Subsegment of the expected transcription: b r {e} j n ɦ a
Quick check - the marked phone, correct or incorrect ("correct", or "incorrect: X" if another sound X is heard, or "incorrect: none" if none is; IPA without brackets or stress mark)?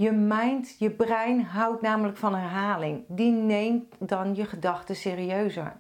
incorrect: ɛ